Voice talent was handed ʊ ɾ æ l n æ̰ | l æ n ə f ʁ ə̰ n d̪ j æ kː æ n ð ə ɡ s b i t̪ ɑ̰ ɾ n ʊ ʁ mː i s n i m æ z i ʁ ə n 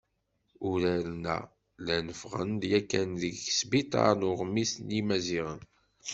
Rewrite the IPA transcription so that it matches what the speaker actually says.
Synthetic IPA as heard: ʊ ɾ æ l n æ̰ | l æ n ə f ʁ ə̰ n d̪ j æ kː æ n ð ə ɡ s b i t̪ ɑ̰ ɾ n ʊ ʁ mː i s n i m æ z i ʁ ə n